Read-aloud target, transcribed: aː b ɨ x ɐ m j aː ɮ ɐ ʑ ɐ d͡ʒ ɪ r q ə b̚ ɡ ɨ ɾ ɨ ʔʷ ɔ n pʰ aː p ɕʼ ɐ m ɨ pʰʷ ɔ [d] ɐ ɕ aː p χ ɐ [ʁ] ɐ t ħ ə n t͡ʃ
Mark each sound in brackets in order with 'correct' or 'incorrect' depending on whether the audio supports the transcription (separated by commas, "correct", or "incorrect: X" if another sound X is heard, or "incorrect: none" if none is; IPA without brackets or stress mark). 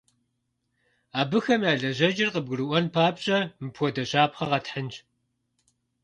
correct, correct